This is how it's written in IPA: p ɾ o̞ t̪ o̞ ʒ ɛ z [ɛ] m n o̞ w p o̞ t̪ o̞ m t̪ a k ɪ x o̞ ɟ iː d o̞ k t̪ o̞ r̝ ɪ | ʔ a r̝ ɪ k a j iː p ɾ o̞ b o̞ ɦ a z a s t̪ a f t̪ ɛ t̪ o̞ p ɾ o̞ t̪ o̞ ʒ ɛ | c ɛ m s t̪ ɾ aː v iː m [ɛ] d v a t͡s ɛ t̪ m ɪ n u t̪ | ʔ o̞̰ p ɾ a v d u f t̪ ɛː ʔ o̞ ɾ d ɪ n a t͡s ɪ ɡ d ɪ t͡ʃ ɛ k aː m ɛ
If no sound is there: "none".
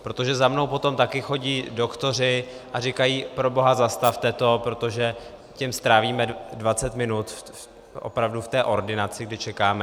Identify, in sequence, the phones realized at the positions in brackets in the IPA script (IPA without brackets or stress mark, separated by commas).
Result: a, ɛ